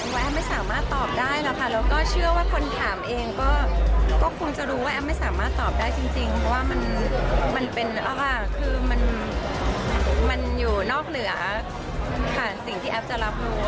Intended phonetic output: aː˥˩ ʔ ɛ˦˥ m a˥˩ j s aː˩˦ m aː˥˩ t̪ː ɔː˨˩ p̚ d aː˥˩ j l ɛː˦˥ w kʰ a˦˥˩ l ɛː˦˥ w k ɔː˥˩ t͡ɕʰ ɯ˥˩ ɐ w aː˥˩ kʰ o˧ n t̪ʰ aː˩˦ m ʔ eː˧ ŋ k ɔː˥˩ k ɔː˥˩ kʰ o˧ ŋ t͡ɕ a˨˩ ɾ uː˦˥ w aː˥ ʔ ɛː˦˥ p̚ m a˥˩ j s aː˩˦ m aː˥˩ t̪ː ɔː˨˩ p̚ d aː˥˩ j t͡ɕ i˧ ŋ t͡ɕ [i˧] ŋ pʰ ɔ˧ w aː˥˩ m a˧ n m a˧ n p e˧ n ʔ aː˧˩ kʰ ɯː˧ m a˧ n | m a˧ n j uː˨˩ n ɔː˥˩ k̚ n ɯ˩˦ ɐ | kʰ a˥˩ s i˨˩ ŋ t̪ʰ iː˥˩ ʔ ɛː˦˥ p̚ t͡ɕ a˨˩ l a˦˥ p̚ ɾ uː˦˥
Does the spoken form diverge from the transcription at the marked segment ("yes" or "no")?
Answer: no